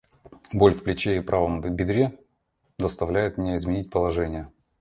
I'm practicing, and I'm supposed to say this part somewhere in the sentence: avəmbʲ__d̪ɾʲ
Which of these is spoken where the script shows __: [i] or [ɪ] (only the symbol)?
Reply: ɪ